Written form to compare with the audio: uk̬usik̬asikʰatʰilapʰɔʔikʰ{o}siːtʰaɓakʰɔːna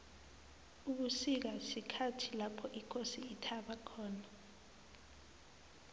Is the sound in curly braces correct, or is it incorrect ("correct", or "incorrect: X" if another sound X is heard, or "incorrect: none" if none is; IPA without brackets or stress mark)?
correct